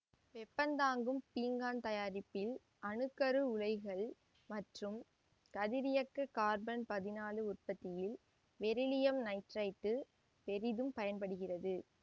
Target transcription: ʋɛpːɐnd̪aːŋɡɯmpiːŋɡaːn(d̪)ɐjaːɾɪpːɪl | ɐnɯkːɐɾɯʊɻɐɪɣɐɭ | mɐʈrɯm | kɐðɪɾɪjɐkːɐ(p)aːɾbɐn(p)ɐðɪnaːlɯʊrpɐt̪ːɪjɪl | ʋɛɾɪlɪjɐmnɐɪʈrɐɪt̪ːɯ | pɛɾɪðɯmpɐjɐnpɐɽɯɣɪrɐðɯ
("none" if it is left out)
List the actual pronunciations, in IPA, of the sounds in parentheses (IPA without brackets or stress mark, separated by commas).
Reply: t̪, k, p